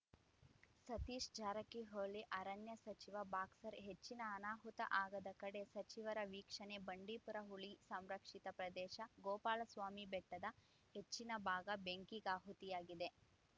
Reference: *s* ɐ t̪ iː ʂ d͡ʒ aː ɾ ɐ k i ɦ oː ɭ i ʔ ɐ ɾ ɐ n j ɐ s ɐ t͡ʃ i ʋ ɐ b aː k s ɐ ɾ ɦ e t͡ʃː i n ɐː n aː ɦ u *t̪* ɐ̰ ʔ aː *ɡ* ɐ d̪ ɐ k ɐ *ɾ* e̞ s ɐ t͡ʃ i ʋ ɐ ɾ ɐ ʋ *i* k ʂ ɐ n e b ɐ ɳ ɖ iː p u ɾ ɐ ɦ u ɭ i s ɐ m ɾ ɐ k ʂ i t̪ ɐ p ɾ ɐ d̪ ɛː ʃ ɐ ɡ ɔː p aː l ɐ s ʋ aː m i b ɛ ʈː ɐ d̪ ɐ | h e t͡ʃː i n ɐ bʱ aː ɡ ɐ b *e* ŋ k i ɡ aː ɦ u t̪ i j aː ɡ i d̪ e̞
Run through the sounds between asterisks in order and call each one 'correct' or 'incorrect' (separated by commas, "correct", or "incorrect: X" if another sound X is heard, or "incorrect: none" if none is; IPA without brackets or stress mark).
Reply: correct, correct, correct, incorrect: ɽ, incorrect: iː, correct